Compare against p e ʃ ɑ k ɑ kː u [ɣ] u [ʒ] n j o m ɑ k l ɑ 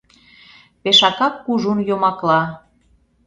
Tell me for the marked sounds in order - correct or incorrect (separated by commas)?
incorrect, incorrect